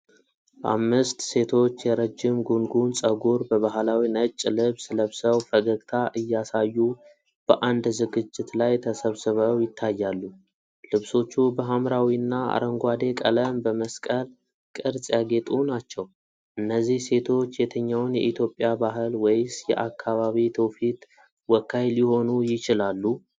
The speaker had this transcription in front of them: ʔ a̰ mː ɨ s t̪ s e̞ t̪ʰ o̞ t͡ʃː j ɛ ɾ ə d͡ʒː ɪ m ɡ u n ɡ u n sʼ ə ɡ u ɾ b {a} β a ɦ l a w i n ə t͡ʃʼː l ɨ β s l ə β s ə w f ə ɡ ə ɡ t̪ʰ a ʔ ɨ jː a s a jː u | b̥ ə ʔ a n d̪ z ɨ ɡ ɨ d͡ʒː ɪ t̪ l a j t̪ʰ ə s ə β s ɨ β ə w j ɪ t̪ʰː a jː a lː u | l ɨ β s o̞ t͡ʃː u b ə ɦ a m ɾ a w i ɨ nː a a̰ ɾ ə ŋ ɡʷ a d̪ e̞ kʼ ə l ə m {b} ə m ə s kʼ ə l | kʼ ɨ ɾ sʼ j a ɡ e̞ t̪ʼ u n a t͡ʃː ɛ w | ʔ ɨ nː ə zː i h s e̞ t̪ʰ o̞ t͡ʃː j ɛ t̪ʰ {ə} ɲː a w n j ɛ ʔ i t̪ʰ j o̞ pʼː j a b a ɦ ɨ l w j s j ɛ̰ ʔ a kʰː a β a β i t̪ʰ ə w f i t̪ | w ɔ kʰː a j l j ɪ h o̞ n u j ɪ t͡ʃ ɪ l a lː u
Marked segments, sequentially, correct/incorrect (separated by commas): incorrect, correct, correct